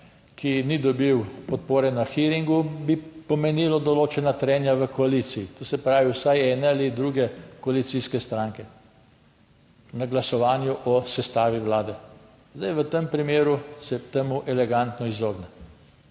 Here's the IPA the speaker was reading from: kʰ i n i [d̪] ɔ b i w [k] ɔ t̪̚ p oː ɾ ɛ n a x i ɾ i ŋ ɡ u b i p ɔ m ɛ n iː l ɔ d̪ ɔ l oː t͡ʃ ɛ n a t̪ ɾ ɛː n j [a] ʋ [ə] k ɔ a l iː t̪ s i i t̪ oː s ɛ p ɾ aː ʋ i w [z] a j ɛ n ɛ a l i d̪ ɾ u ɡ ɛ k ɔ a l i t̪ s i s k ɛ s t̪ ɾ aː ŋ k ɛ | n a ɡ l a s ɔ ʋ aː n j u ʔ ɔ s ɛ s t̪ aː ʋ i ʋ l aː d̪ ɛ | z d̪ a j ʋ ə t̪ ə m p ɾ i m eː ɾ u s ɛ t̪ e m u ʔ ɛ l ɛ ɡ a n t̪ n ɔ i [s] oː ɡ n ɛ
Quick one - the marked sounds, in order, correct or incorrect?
correct, incorrect, correct, correct, incorrect, incorrect

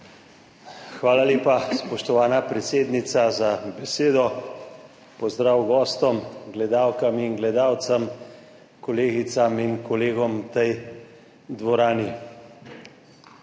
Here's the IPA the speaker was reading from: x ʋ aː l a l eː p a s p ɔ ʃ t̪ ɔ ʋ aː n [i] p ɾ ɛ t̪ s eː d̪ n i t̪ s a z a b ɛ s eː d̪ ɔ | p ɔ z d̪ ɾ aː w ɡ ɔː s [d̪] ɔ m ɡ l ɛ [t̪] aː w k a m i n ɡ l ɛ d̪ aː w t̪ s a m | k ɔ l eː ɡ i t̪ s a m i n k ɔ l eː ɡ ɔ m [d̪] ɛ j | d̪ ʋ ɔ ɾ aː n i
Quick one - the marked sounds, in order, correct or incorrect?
incorrect, incorrect, incorrect, incorrect

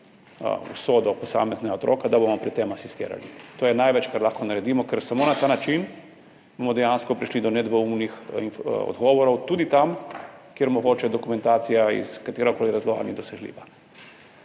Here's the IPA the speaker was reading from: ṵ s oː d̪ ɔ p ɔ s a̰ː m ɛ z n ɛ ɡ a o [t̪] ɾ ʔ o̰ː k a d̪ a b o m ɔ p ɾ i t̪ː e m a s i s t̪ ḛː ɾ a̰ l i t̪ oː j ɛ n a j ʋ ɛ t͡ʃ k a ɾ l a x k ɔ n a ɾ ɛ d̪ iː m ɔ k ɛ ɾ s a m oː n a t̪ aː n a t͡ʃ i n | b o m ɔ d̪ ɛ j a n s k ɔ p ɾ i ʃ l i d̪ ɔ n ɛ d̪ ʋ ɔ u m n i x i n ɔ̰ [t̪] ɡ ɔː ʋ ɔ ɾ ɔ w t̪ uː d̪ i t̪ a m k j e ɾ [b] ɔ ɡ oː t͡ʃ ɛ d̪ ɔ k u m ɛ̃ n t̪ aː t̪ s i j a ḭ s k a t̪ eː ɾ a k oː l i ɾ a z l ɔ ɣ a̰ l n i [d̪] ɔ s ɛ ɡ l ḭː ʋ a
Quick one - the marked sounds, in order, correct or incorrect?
correct, incorrect, incorrect, correct

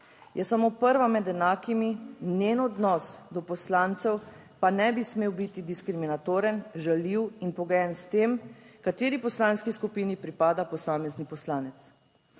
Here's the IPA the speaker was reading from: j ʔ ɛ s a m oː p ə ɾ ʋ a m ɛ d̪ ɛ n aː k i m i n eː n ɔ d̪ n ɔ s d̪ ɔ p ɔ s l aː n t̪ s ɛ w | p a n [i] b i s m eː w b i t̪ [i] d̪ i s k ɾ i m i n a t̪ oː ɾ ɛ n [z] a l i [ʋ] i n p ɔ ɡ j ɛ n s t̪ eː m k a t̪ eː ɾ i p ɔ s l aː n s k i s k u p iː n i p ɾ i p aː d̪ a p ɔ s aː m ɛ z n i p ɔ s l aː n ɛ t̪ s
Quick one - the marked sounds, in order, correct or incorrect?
incorrect, correct, incorrect, incorrect

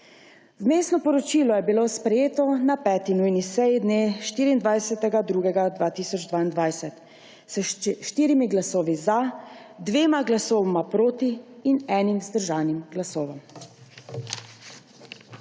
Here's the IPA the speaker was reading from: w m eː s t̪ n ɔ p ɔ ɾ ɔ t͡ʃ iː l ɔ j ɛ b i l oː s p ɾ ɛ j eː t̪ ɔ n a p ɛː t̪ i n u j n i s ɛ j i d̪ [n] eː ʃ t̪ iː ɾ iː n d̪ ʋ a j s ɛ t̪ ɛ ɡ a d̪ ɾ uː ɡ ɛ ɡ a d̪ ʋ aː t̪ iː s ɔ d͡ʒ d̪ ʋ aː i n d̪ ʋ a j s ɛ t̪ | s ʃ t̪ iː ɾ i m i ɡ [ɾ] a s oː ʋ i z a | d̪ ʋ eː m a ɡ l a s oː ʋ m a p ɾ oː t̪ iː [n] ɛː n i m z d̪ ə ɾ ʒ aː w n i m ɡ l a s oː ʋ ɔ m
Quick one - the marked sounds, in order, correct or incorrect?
correct, incorrect, correct

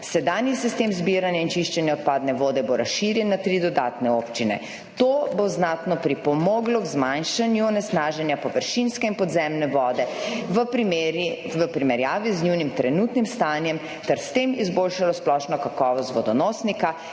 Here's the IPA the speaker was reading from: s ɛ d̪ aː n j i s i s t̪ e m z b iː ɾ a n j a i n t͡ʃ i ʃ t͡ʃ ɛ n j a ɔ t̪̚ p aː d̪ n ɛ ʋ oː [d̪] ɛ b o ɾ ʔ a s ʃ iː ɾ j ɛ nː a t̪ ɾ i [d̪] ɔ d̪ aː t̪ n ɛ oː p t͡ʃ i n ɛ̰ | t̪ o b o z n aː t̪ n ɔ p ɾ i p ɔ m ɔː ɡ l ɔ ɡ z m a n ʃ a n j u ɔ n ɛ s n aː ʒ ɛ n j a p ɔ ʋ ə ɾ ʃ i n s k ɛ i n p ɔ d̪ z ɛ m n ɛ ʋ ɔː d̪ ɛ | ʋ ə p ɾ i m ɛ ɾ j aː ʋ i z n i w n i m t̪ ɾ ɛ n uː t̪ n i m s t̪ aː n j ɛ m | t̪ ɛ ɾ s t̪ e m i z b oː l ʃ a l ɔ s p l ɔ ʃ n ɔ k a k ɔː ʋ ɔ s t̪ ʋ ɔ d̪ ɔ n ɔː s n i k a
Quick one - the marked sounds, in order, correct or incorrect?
correct, correct

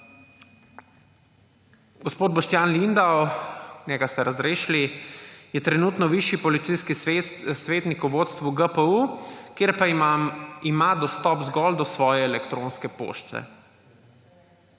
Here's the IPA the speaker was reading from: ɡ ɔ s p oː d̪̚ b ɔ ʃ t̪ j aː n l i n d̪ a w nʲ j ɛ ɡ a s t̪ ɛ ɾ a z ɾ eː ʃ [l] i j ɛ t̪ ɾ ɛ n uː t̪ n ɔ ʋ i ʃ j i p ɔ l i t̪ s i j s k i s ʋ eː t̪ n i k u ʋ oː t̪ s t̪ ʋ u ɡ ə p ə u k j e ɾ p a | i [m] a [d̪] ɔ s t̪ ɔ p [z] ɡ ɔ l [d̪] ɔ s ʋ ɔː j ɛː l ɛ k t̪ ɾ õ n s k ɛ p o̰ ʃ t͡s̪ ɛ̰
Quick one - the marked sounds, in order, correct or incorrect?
correct, correct, correct, correct, correct

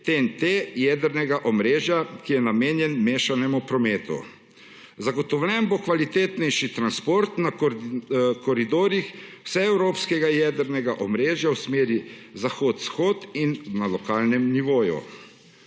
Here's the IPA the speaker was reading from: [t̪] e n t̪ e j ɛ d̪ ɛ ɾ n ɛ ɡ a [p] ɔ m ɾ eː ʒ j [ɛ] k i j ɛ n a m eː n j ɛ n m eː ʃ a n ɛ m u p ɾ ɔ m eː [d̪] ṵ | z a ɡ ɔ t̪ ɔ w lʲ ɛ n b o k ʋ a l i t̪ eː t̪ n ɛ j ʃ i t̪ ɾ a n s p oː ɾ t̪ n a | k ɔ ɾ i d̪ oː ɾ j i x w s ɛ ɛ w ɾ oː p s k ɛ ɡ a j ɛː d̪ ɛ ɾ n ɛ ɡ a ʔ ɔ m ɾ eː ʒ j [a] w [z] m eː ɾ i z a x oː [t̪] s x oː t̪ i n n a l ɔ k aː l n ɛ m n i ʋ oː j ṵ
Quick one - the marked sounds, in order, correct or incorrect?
correct, incorrect, incorrect, incorrect, correct, incorrect, correct

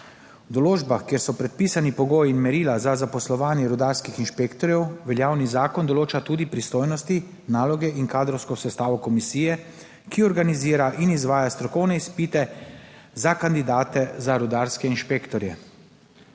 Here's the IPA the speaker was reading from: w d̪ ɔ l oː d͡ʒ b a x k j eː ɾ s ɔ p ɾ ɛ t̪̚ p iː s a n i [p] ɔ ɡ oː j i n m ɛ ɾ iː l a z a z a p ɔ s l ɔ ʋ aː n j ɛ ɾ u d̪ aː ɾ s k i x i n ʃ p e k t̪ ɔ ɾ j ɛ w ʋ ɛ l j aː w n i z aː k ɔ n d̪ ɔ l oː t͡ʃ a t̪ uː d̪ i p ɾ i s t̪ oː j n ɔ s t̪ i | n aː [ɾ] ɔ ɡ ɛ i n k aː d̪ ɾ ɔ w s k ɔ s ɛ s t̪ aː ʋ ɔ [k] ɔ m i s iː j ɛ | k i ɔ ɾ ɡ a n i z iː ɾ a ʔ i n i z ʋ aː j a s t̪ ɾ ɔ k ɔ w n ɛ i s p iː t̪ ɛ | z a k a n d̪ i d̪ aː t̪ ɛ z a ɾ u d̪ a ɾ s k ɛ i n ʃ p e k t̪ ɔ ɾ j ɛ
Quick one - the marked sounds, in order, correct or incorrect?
correct, incorrect, correct

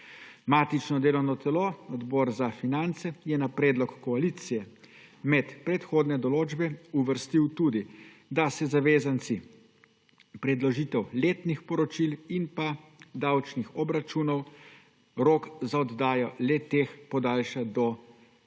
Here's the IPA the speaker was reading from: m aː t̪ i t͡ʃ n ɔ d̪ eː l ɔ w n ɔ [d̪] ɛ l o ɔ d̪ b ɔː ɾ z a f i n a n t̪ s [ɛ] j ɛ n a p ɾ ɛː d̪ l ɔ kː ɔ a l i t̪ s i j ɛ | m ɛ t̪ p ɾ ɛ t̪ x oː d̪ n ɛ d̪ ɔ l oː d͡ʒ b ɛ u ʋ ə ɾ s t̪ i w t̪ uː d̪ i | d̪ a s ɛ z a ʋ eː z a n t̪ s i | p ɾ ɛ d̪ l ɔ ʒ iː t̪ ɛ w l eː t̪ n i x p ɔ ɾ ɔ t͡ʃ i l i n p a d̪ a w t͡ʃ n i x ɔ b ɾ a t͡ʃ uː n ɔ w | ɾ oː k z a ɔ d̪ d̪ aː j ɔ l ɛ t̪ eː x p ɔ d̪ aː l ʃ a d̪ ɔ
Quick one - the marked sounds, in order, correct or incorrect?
incorrect, correct

